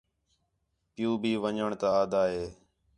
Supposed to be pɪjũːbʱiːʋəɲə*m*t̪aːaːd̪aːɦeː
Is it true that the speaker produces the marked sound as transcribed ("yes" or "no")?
no